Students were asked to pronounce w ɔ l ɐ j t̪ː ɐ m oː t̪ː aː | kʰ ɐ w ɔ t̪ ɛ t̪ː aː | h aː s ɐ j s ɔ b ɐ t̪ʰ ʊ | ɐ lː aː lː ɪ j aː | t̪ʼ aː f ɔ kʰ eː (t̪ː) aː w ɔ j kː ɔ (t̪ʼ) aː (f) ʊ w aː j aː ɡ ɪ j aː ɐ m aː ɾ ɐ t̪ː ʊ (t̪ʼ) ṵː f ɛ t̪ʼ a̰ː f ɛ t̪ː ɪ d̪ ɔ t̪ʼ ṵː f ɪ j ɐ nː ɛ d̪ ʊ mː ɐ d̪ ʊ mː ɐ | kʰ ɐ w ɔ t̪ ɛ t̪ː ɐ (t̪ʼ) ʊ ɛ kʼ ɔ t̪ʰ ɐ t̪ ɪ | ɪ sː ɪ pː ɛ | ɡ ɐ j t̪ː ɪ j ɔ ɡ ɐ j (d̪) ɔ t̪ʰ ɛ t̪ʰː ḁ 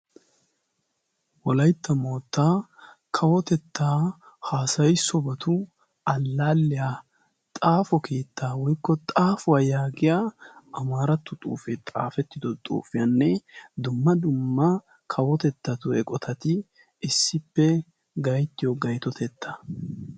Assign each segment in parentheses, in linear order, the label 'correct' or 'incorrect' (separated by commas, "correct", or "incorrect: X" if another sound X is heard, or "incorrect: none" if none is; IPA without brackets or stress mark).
correct, correct, correct, correct, incorrect: t̪, incorrect: t̪